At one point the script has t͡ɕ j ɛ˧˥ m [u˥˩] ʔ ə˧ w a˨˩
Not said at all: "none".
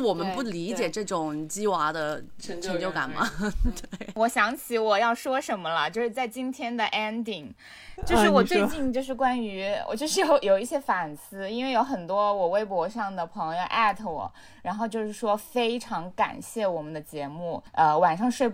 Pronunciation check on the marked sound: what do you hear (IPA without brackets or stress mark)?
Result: u˥˩